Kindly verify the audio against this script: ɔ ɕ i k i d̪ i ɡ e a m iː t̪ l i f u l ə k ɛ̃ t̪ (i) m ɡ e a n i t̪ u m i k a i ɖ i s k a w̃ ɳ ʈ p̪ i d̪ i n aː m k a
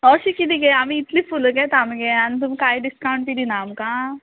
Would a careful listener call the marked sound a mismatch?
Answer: yes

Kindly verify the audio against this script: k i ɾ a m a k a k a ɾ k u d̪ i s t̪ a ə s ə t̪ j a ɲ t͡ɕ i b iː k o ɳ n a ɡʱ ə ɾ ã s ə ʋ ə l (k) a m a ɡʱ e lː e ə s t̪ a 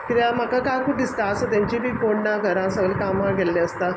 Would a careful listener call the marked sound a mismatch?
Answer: no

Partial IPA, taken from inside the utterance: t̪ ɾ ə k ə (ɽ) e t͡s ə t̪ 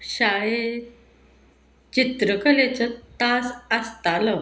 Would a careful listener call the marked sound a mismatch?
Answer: yes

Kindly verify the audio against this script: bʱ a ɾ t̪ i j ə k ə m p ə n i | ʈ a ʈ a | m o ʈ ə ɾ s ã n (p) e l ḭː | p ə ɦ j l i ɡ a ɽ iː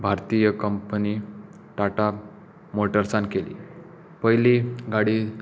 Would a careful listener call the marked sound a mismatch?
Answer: yes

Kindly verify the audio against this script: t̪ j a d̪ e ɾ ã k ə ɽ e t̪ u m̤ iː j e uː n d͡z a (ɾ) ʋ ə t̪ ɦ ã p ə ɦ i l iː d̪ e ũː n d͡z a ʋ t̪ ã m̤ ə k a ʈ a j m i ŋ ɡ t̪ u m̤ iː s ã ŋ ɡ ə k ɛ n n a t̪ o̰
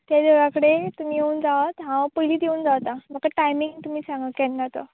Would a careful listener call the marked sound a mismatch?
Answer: yes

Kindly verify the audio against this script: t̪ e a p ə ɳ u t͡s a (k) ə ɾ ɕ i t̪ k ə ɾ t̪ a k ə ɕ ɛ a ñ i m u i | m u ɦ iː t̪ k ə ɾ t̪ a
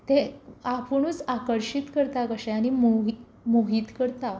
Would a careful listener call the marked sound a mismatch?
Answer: no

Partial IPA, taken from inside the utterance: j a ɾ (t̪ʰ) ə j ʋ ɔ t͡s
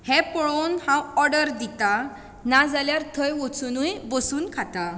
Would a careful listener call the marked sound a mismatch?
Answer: no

